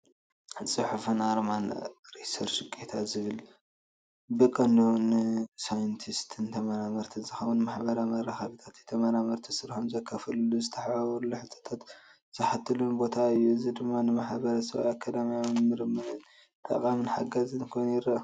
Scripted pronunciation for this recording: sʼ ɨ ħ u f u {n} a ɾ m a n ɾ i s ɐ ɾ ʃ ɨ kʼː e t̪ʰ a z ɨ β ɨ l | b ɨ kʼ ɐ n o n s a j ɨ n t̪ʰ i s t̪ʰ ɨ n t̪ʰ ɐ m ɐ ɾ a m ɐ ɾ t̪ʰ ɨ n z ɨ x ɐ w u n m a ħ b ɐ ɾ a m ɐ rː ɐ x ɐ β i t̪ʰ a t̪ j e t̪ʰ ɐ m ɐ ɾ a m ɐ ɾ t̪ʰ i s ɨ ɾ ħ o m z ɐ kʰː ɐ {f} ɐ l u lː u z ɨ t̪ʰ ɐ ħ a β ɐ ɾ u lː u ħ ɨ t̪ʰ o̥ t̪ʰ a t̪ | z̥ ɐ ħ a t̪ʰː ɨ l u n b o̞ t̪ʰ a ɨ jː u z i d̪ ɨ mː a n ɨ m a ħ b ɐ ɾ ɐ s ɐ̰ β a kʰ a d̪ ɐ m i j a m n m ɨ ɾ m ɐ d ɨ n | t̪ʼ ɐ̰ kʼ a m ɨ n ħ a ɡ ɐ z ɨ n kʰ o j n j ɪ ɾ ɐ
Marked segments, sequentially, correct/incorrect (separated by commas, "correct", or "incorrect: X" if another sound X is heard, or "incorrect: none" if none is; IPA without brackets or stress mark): correct, correct